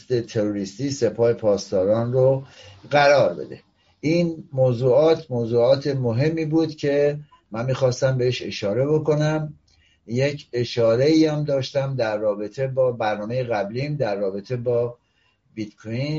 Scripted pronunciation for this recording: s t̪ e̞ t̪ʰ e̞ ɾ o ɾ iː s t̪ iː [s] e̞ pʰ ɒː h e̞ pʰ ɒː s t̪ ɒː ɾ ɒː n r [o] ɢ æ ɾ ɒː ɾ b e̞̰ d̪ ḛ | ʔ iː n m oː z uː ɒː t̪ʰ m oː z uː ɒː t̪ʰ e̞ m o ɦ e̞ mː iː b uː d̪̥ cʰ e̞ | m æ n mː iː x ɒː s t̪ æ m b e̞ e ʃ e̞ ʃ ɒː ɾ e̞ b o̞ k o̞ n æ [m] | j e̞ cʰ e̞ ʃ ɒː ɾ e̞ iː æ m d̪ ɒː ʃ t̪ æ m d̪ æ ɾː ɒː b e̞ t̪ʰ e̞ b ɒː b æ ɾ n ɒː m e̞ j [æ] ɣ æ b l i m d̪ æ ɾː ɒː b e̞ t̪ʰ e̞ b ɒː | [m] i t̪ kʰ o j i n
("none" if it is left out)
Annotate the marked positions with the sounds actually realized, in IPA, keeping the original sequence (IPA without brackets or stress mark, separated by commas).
s, o, m, e, b